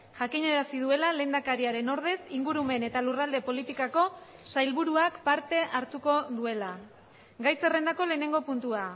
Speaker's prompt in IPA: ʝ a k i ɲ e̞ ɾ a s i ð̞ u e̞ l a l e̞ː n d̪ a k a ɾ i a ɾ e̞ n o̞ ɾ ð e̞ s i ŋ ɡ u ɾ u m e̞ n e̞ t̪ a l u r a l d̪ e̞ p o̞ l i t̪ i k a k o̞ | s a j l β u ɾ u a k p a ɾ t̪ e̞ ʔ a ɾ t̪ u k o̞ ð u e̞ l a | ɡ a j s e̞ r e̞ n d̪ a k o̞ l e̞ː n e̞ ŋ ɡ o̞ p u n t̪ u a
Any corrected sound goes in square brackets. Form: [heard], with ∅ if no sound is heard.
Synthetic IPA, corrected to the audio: ʝ a k i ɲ e̞ ɾ a s i ð̞ u e̞ l a l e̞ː n d̪ a k a ɾ i a ɾ e̞ n o̞ ɾ ð e̞ s i ŋ ɡ u ɾ u m e̞ n e̞ t̪ a l u r a l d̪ e̞ p o̞ l i t̪ i k a k o̞ | s a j l β u ɾ u a k p a ɾ t̪ e̞ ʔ a ɾ t̪ u k o̞ ð u e̞ l a | ɡ a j s e̞ r e̞ n d̪ a k o̞ l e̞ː n e̞ ŋ ɡ o̞ p u n t̪ u a